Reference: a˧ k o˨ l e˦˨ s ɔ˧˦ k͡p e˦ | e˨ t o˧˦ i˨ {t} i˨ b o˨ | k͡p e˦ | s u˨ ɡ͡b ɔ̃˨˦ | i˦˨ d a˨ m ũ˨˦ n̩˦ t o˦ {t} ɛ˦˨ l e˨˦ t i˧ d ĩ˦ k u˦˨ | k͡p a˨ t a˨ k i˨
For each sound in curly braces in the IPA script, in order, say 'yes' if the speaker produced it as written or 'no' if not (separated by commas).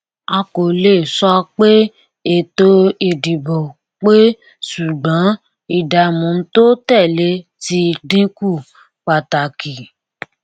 no, yes